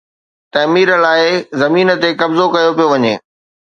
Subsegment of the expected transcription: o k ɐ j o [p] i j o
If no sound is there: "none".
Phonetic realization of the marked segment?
p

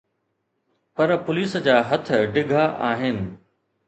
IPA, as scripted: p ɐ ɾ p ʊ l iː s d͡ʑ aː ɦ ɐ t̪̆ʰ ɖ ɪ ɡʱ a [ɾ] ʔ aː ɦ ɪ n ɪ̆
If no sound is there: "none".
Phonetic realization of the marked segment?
none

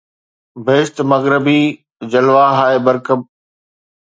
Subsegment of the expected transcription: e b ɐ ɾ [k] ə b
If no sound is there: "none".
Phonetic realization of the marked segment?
k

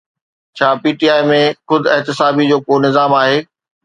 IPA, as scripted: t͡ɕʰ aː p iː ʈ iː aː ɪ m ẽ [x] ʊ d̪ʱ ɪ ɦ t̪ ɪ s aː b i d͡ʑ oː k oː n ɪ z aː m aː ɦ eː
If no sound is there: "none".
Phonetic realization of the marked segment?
x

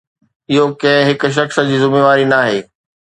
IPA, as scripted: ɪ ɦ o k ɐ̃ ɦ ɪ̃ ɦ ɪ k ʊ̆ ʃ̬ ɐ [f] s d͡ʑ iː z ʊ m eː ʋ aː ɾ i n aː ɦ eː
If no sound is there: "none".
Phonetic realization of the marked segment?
x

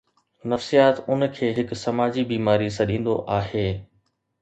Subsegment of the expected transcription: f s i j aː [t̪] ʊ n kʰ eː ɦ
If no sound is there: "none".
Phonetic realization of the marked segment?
t̪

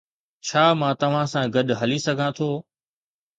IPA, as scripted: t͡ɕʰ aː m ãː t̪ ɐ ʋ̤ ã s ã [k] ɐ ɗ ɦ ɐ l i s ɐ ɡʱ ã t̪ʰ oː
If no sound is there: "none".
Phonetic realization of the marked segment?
ɡ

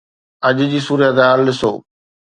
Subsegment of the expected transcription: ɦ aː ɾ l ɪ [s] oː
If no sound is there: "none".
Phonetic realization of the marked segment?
s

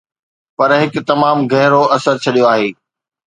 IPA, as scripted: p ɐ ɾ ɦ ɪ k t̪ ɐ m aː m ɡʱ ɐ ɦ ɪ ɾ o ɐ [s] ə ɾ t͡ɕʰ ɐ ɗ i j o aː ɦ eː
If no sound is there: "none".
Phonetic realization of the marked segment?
s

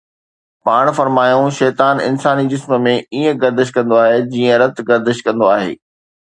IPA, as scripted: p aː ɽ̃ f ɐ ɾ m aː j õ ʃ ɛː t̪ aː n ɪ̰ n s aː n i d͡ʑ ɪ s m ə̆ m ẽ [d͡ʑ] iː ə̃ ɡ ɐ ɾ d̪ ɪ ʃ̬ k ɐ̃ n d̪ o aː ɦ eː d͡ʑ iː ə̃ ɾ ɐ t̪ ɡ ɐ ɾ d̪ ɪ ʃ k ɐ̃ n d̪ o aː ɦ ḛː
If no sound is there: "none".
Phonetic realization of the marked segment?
none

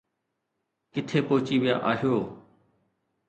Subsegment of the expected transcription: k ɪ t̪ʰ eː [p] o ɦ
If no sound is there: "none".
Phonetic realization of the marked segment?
p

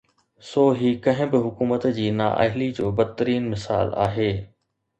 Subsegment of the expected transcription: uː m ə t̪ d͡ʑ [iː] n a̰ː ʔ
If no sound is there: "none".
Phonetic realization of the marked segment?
iː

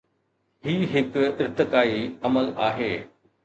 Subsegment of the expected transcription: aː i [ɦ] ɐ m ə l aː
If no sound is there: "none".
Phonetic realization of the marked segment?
none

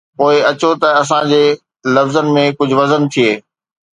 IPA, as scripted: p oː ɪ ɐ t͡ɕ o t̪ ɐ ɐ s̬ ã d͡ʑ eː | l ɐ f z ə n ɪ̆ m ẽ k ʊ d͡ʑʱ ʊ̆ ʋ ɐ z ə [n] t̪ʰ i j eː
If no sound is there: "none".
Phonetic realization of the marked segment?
n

